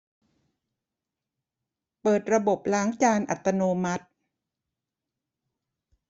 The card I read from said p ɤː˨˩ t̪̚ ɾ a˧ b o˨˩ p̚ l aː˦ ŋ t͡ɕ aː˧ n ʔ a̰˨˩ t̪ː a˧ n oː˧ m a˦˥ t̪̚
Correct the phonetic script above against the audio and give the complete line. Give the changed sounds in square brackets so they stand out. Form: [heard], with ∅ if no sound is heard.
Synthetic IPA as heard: p ɤː˨˩ t̪̚ ɾ a˧ b o˨˩ p̚ l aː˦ ŋ t͡ɕ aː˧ n ʔ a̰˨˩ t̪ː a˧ n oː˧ m a˦˥ t̪̚